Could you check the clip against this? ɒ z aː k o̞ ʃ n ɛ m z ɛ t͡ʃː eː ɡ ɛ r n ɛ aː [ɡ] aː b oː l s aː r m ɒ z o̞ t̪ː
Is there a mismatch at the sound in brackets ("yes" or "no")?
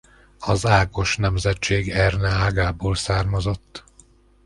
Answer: no